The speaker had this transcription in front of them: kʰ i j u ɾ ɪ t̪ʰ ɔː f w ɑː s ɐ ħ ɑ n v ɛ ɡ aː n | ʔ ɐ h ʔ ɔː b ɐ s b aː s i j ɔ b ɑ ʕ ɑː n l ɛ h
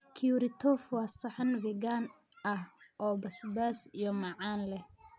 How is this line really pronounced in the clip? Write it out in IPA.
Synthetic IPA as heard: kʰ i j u ɾ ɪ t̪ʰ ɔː f w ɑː s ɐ ħ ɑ n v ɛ ɡ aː n | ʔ ɐ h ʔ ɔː b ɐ s b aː s i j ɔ m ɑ ʕ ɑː n l ɛ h